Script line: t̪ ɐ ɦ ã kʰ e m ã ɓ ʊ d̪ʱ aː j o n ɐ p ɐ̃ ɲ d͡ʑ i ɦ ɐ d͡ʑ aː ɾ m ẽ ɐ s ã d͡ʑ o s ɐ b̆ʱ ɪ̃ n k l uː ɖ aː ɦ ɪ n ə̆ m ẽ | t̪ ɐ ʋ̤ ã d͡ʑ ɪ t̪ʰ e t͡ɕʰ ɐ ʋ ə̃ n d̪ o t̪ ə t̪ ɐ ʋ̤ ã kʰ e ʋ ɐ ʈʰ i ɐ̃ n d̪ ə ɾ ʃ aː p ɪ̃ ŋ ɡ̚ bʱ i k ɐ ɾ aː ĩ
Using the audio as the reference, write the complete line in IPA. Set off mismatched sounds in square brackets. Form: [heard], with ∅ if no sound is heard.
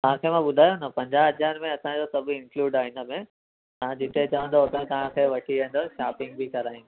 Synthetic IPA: t̪ ɐ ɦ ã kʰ e m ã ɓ ʊ d̪ʱ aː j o n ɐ p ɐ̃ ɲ d͡ʑ [a] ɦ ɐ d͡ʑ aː ɾ m ẽ ɐ s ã d͡ʑ o s ɐ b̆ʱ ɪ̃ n k l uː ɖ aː ɦ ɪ n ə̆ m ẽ | t̪ ɐ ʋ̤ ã d͡ʑ ɪ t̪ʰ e [t͡ɕ] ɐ ʋ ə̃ n d̪ o t̪ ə t̪ ɐ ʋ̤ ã kʰ e ʋ ɐ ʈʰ i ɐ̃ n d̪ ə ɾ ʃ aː p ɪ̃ ŋ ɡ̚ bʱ i k ɐ ɾ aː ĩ